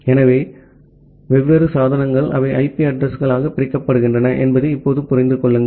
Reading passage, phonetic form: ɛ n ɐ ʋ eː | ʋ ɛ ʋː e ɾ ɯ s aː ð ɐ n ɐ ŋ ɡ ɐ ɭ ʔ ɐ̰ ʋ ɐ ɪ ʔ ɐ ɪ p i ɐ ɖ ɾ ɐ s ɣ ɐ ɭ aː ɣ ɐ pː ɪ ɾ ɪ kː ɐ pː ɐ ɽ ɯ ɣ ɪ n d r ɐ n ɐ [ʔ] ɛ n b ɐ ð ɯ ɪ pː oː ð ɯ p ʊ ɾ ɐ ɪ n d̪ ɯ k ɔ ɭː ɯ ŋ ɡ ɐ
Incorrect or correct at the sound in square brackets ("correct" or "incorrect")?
correct